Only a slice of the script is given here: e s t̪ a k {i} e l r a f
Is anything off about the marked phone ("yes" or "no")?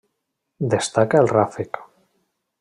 yes